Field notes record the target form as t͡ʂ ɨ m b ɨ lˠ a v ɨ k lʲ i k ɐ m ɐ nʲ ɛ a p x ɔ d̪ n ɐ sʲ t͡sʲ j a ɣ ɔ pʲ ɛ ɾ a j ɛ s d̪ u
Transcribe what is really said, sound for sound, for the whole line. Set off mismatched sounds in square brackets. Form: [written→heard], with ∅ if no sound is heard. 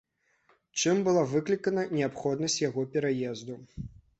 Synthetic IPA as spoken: t͡ʂ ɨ m b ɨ lˠ a v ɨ k lʲ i k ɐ [m→n] ɐ nʲ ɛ a p x ɔ d̪ n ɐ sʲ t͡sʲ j a ɣ ɔ pʲ ɛ ɾ a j ɛ [s→z] d̪ u